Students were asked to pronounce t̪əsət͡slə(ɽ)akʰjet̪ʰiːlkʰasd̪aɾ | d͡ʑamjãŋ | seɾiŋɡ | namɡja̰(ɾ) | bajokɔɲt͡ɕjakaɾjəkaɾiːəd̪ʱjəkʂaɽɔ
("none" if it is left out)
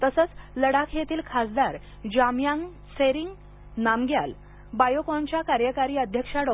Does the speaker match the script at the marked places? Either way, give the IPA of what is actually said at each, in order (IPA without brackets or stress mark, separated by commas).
ɽ, l